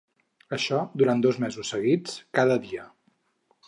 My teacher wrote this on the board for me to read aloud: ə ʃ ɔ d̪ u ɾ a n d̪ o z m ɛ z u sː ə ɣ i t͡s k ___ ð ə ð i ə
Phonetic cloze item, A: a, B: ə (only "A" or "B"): A